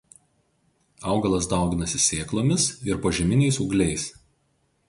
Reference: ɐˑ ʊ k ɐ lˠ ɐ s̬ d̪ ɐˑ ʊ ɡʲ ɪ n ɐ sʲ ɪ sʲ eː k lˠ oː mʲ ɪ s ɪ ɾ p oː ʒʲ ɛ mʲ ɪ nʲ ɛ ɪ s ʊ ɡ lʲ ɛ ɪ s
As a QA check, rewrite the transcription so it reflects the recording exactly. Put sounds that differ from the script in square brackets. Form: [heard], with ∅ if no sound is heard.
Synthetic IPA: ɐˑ ʊ [ɡ] ɐ lˠ ɐ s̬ d̪ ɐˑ ʊ ɡʲ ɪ n ɐ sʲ ɪ sʲ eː k lˠ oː mʲ ɪ s ɪ ɾ p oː ʒʲ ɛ mʲ ɪ nʲ ɛ ɪ s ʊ ɡ lʲ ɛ ɪ s

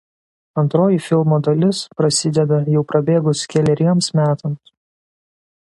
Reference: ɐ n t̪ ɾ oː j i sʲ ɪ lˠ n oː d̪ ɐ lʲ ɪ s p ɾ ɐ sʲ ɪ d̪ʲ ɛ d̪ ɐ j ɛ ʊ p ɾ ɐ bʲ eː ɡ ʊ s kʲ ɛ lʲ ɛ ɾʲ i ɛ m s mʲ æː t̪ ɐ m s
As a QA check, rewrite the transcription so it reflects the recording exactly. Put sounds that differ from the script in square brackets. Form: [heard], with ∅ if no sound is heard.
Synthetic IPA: ɐ n t̪ ɾ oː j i [fʲ] ɪ lˠ [m] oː d̪ ɐ lʲ ɪ s p ɾ ɐ sʲ ɪ d̪ʲ ɛ d̪ ɐ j ɛ ʊ p ɾ ɐ bʲ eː ɡ ʊ s kʲ ɛ lʲ ɛ ɾʲ i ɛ m s mʲ æː t̪ ɐ m s

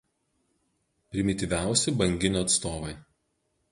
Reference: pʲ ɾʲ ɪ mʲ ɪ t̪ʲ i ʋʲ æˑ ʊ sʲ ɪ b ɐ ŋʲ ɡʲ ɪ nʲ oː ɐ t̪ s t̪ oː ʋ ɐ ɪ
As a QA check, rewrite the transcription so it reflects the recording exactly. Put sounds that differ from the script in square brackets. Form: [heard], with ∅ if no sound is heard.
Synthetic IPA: pʲ ɾʲ ɪ mʲ ɪ t̪ʲ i ʋʲ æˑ ʊ sʲ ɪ b ɐ ŋʲ ɡʲ ɪ nʲ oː ɐ t̪ s t̪ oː ʋ ɐ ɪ

